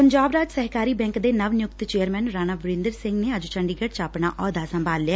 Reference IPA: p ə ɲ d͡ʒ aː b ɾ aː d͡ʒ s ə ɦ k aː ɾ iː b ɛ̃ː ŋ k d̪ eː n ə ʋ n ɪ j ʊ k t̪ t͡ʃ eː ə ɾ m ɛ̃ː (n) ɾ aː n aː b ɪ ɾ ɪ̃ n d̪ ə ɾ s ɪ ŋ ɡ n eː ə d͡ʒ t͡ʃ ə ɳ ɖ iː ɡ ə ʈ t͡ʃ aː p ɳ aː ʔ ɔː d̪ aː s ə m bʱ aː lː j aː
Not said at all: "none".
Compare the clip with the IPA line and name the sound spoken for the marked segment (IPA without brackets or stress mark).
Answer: n